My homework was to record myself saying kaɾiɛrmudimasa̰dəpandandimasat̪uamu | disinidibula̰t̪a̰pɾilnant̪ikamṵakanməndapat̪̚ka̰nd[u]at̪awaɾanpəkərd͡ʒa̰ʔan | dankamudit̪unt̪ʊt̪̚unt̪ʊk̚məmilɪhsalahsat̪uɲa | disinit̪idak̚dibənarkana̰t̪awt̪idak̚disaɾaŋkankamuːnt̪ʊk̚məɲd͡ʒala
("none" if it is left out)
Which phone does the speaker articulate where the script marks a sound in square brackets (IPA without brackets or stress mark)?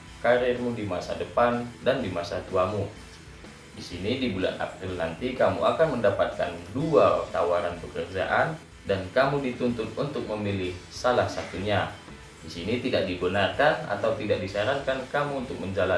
u